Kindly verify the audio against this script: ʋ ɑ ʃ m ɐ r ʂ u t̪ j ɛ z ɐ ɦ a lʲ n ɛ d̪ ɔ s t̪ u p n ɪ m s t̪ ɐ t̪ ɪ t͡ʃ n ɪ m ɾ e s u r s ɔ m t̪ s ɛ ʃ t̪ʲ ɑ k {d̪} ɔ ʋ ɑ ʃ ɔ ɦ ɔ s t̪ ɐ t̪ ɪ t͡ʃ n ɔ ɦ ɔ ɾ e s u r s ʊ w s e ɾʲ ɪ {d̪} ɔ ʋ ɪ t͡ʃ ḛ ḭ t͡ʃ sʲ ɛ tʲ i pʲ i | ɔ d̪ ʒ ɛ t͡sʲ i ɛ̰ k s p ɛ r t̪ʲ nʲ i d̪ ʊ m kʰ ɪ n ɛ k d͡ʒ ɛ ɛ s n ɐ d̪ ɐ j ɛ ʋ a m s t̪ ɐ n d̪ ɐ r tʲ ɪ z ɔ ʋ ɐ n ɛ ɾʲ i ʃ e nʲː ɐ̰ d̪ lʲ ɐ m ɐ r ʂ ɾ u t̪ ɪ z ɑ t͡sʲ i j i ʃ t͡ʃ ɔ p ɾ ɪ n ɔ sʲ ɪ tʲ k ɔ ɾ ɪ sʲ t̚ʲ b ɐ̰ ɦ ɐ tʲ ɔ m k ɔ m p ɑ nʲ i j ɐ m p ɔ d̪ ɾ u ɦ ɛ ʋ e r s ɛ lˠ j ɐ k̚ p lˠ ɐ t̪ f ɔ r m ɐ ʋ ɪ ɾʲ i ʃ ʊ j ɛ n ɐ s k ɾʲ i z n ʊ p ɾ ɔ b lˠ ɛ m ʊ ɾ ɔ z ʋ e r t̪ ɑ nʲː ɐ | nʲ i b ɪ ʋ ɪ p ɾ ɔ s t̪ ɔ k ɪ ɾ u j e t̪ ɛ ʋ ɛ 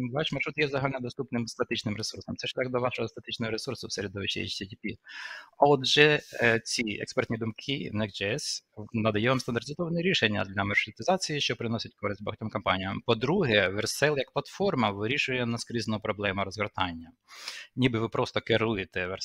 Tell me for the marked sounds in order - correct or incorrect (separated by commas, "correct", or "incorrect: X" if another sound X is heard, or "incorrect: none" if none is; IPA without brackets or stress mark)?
correct, correct